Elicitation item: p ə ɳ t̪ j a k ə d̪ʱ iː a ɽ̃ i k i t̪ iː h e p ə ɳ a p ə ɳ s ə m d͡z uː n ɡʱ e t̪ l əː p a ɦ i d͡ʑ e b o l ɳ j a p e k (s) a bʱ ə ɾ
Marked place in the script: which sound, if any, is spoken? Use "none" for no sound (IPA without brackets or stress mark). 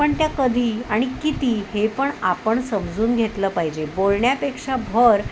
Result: ʂ